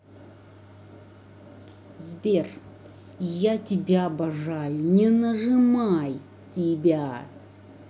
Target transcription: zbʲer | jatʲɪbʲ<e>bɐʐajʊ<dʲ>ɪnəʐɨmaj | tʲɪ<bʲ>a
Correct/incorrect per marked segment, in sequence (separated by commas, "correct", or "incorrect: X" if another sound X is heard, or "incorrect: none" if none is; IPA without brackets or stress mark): incorrect: a, incorrect: nʲ, correct